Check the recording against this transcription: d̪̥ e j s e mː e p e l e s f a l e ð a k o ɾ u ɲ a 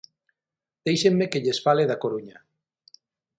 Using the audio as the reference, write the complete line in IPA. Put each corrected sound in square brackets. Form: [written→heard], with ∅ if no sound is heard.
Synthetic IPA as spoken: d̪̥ e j [s→ʃ] e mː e [p→k] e [l→ʎ] e s f a l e ð a k o ɾ u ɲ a

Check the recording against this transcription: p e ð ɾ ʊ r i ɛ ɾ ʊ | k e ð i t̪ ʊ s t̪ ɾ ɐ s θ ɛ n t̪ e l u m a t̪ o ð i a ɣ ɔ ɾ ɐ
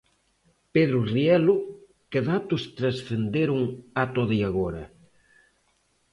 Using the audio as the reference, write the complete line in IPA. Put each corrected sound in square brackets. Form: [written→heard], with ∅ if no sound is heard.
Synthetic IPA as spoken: p e ð ɾ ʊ r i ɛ [ɾ→l] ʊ | k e ð [i→a] t̪ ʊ s t̪ ɾ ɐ s θ [ɛ→e] n [t̪→d̪] e [l→ɾ] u [m→ŋ] a t̪ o ð i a ɣ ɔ ɾ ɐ

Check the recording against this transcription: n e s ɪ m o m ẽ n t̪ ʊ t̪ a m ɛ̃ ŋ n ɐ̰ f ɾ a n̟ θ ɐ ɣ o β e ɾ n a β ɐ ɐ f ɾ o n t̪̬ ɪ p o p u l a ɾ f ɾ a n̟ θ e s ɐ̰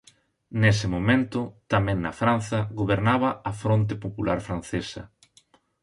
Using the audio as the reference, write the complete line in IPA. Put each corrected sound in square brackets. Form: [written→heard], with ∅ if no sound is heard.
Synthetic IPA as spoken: n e s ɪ m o m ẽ n t̪ ʊ t̪ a m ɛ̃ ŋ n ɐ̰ f ɾ a n̟ θ ɐ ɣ o β e ɾ n a β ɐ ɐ f ɾ o n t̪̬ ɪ p o p u l a ɾ f ɾ a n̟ θ e s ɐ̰

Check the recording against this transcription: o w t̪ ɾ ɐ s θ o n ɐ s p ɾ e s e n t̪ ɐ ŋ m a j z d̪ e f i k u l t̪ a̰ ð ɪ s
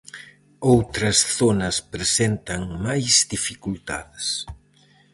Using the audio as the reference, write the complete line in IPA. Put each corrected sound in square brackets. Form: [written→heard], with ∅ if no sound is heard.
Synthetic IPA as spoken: o w t̪ ɾ ɐ s θ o n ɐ s p ɾ e s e n t̪ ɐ ŋ m a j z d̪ [e→i] f i k u l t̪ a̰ ð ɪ s

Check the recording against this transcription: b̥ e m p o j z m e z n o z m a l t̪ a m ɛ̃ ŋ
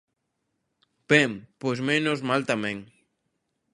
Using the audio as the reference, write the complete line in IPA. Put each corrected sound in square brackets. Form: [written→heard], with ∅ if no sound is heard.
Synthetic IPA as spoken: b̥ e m p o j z m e [z→∅] n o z m a l t̪ a m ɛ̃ ŋ

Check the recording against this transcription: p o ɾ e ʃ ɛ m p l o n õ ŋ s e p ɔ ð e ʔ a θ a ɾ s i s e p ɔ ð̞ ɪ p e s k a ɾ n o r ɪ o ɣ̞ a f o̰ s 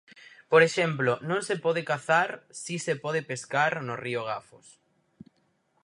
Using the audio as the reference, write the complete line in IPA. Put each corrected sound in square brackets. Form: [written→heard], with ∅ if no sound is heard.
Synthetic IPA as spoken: p o ɾ e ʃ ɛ m p l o n õ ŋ s e p ɔ ð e [ʔ→k] a θ a ɾ s i s e p ɔ ð̞ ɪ p e s k a ɾ n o r [ɪ→i] o ɣ̞ a f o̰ s

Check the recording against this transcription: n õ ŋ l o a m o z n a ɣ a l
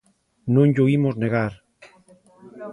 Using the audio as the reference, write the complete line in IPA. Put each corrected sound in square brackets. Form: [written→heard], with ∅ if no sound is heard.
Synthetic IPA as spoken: n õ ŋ [l→ʎ] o [a→i] m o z n [a→e] ɣ a [l→ɾ]

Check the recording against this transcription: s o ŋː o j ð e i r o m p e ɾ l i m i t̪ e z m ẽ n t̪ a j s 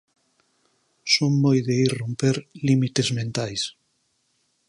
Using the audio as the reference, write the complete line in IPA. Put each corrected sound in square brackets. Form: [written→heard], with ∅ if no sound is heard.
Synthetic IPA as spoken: s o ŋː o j ð e i r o m p e ɾ l i m i t̪ e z m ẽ n t̪ a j s

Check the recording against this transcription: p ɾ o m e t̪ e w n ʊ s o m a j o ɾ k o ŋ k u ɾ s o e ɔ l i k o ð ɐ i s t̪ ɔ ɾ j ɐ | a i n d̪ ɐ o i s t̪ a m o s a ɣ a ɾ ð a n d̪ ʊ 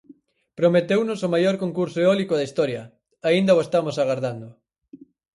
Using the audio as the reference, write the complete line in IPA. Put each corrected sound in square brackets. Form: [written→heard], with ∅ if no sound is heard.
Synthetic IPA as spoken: p ɾ o m e t̪ e w n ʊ s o m a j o ɾ k o ŋ k u ɾ s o e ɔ l i k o ð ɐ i s t̪ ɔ ɾ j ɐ | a i n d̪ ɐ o [i→e] s t̪ a m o s a ɣ a ɾ ð a n d̪ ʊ

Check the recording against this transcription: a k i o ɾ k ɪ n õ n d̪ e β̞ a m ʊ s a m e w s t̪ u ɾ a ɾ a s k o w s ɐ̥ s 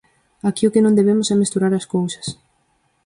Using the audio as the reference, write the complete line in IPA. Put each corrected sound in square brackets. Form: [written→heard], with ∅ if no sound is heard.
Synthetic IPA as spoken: a k i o [ɾ→∅] k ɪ n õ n d̪ e β̞ [a→e] m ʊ s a m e [w→∅] s t̪ u ɾ a ɾ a s k o w s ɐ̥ s

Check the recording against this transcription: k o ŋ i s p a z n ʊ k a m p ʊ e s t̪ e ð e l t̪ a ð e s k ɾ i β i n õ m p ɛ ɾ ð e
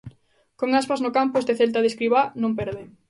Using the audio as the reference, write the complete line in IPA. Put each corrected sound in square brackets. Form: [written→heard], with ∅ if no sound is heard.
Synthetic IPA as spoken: k o ŋ [i→a] s p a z n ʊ k a m p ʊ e s t̪ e [ð→θ] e l t̪ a ð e s k ɾ i β [i→a] n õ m p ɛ ɾ ð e

